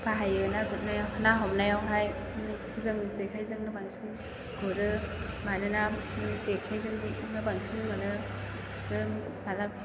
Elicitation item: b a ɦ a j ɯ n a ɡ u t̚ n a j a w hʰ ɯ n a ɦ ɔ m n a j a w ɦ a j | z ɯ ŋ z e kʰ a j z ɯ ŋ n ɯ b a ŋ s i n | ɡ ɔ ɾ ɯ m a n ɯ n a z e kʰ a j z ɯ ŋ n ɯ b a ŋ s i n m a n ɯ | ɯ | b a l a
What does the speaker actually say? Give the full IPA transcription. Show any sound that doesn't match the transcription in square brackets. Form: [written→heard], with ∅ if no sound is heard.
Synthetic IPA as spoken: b a ɦ a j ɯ n a ɡ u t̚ n a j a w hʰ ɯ n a ɦ ɔ m n a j a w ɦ a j | z ɯ ŋ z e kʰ a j z ɯ ŋ n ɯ b a ŋ s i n | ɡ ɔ ɾ ɯ m a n ɯ n a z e kʰ a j z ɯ ŋ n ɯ b a ŋ s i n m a n ɯ | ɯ | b a l a